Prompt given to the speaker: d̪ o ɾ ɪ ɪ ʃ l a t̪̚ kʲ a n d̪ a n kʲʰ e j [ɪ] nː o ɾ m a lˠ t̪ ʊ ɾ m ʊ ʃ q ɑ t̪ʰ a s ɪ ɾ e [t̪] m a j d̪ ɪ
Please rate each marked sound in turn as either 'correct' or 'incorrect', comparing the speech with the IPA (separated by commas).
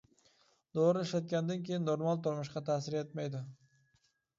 correct, correct